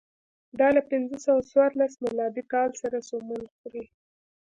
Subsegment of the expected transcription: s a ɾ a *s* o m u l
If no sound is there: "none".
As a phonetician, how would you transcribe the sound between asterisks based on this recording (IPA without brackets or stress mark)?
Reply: s